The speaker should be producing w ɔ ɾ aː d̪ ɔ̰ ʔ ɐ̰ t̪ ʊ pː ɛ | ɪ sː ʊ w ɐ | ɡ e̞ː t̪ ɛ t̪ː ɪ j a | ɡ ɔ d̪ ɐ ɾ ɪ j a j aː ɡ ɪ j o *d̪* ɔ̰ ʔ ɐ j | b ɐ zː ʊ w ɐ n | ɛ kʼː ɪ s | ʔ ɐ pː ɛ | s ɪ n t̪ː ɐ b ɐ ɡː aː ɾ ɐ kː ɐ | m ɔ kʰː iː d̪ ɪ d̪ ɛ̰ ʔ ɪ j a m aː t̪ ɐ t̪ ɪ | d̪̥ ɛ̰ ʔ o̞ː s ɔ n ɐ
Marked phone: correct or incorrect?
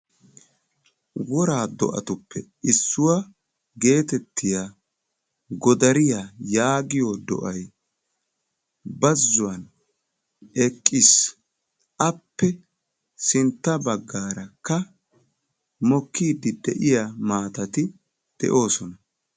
correct